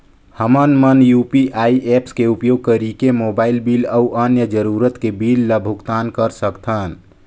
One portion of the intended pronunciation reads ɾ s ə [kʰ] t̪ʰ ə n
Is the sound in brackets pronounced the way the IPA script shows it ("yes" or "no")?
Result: no